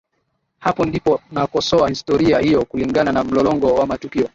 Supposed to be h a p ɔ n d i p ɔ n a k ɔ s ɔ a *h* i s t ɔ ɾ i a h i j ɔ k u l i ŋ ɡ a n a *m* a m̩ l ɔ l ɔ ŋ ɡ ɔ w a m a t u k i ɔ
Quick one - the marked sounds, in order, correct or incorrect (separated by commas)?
correct, incorrect